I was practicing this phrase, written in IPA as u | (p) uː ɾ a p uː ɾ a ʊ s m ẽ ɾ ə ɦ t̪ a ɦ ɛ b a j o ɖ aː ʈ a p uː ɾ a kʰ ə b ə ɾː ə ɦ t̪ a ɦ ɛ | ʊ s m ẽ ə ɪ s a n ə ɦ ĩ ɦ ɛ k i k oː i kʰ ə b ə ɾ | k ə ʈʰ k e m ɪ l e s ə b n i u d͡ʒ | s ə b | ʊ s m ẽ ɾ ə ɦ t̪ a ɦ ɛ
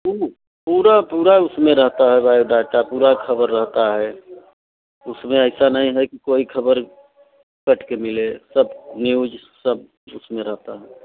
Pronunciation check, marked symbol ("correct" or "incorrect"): correct